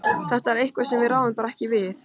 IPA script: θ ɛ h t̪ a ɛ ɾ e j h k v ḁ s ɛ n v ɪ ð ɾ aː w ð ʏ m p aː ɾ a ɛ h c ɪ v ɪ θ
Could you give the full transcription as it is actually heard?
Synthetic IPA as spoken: θ ɛ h t̪ a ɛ ɾ e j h k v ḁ s ɛ m v ɪ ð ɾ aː w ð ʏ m p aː ɾ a ɛ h c ɪ v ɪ θ